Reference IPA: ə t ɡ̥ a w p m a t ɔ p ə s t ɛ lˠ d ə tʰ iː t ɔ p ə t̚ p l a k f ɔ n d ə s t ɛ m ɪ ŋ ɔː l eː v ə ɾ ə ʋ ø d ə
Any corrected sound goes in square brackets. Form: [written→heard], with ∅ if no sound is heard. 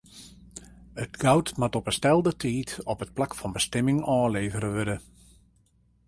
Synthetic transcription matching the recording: ə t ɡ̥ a w [p→t] m a t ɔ p ə s t ɛ lˠ d ə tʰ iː t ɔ p ə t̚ p l a k f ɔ n [d→b] ə s t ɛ m ɪ ŋ ɔː l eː v ə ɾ ə ʋ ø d ə